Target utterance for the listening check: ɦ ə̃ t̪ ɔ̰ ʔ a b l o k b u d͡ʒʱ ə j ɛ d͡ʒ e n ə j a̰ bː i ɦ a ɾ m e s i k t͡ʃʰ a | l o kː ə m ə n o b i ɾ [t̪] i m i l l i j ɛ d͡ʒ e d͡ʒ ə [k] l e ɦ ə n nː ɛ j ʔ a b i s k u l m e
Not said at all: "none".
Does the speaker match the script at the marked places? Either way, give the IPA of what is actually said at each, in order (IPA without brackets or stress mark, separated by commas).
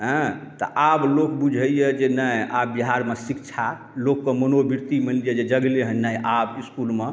t̪, ɡ